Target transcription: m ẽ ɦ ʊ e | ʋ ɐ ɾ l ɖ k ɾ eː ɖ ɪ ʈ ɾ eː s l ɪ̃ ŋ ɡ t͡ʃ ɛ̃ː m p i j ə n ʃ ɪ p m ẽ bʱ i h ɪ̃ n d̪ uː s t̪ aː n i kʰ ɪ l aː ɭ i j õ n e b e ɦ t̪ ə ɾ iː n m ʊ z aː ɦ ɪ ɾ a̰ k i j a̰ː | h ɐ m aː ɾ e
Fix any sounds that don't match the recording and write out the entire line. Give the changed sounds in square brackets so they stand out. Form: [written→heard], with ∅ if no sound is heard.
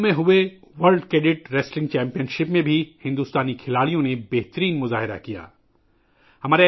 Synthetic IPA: m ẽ ɦ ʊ e | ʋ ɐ ɾ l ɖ k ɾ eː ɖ ɪ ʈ ɾ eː s l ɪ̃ ŋ ɡ t͡ʃ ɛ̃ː m p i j ə n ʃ ɪ p m ẽ bʱ i h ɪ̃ n d̪ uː s t̪ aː n i kʰ ɪ l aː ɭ i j õ n e b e ɦ t̪ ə ɾ iː n m ʊ z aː ɦ ɪ ɾ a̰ k i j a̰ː | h ɐ m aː ɾ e

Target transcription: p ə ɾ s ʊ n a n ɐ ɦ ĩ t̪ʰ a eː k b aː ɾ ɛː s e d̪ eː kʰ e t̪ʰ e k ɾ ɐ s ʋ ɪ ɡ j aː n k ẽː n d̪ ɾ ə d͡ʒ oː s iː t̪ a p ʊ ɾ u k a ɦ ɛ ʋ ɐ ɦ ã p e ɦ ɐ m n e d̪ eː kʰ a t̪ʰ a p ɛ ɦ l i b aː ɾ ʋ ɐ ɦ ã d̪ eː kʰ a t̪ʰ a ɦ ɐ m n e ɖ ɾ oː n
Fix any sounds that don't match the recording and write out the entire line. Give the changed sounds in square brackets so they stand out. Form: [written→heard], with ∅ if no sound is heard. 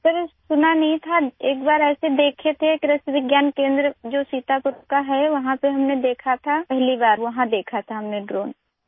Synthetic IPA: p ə ɾ s ʊ n a n ɐ ɦ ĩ t̪ʰ a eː k b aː ɾ ɛː s e d̪ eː kʰ e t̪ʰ e k ɾ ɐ s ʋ ɪ ɡ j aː n k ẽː n d̪ ɾ ə d͡ʒ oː s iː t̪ a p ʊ ɾ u k a ɦ ɛ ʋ ɐ ɦ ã p e ɦ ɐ m n e d̪ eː kʰ a t̪ʰ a p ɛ ɦ l i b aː ɾ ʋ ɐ ɦ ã d̪ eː kʰ a t̪ʰ a ɦ ɐ m n e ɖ ɾ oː n

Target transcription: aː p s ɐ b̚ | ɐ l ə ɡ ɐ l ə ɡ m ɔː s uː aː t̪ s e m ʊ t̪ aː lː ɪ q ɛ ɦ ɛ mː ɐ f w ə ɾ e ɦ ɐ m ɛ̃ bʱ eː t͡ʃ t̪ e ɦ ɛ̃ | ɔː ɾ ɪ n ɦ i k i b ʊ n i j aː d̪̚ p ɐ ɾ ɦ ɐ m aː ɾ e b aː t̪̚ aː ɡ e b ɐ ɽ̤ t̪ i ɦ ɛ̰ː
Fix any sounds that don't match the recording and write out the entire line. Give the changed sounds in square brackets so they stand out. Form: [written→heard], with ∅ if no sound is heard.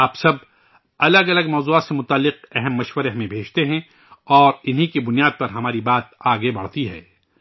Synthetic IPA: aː p s ɐ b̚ | ɐ l ə ɡ ɐ l ə ɡ m ɔː [s→z] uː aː t̪ s e m ʊ t̪ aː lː ɪ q ɛ ɦ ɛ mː ɐ [f→ʃ] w ə ɾ e ɦ ɐ m [ɛ̃→ẽ] bʱ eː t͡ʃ t̪ e ɦ ɛ̃ | ɔː ɾ ɪ n ɦ i k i b ʊ n i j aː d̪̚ p ɐ ɾ ɦ ɐ m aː ɾ [e→i] b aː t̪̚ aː ɡ e b ɐ ɽ̤ t̪ i ɦ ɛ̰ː

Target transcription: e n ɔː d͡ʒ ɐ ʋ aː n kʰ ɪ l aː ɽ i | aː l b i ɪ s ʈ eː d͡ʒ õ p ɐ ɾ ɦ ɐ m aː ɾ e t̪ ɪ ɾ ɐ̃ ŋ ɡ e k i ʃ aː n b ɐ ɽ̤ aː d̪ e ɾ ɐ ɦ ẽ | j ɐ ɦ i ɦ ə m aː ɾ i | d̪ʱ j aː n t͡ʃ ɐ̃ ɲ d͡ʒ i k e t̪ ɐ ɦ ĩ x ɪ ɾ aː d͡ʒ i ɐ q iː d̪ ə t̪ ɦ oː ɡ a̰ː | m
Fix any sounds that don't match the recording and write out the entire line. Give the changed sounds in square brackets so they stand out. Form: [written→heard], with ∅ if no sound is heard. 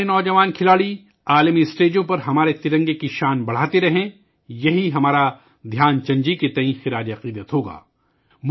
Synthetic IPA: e n ɔː d͡ʒ ɐ ʋ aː n kʰ ɪ l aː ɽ i | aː l [b→m] i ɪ s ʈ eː d͡ʒ õ p ɐ ɾ ɦ ɐ m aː ɾ e t̪ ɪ ɾ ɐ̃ ŋ ɡ e k i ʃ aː n b ɐ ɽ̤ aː [d̪→t̪] e ɾ ɐ ɦ ẽ | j ɐ ɦ i ɦ [ə→ɐ] m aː ɾ [i→a] | d̪ʱ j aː n t͡ʃ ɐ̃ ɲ d͡ʒ i k e t̪ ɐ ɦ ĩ x ɪ ɾ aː d͡ʒ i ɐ q iː d̪ ə t̪ ɦ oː ɡ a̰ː | m

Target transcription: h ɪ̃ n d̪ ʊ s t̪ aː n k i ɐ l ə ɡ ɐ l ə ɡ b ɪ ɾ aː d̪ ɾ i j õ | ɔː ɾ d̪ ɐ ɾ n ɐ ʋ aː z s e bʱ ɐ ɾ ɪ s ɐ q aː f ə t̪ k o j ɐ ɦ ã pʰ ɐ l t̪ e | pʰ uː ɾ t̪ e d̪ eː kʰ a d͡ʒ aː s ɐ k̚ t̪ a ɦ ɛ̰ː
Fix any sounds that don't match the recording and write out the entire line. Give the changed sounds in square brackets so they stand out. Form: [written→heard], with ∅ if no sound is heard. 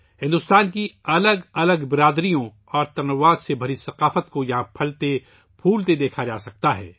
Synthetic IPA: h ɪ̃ n d̪ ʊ s t̪ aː n k i ɐ l ə ɡ ɐ l ə ɡ b ɪ ɾ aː d̪ ɾ i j õ | ɔː ɾ [d̪→t̪] ɐ ɾ n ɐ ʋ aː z s e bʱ ɐ ɾ [ɪ→i] s ɐ q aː f ə t̪ k o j ɐ ɦ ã pʰ ɐ l t̪ e | pʰ uː [ɾ→l] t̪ e d̪ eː kʰ a d͡ʒ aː s ɐ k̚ t̪ a ɦ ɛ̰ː

